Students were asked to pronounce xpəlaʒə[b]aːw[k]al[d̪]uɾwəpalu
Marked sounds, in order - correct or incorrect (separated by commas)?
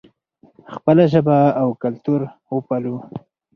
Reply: correct, correct, incorrect